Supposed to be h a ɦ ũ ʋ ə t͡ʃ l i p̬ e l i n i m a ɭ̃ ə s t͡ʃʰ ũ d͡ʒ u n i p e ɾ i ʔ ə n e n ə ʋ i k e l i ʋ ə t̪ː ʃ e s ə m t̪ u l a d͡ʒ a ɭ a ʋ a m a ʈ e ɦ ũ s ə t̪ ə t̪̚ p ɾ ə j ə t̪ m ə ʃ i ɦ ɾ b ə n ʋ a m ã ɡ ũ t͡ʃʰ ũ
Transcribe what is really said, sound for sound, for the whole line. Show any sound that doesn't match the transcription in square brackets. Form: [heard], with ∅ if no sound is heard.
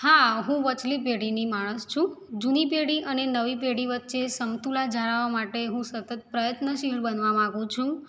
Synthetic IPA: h a ɦ ũ ʋ ə t͡ʃ l i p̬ e [ɽ] i n i m a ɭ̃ ə s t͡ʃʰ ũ d͡ʒ u n i p e [ɽ] i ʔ ə n e n ə ʋ i [p] e [ɽ] i ʋ ə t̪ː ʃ e s ə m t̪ u l a d͡ʒ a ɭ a ʋ a m a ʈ e ɦ ũ s ə t̪ ə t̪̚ p ɾ ə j ə t̪ [n] ə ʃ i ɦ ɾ b ə n ʋ a m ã ɡ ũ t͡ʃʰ ũ